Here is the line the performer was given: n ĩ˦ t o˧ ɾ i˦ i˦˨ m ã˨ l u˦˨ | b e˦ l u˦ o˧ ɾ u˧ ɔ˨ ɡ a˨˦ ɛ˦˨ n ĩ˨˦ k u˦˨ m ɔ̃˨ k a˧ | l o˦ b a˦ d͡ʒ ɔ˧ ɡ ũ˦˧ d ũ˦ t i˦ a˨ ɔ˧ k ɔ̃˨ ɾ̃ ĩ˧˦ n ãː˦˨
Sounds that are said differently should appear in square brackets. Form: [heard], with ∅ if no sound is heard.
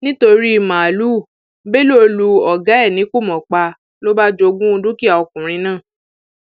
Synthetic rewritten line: n ĩ˦ t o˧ ɾ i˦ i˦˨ m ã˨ l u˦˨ | b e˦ l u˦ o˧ [l] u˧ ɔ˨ ɡ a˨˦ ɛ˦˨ n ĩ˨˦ k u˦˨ m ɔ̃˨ [k͡p] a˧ | l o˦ b a˦ d͡ʒ [o˧] ɡ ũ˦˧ d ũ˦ [k] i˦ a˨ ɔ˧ k [ũ˨] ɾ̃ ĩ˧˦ n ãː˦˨